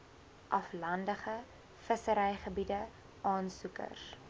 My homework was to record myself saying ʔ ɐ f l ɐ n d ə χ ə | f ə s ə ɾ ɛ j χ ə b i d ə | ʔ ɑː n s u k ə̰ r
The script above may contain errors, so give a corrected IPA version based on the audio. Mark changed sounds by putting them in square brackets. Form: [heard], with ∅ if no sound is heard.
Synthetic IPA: ʔ ɐ f l ɐ n d ə χ ə | f ə s ə ɾ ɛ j χ ə b i d ə | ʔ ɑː n s u k ə̰ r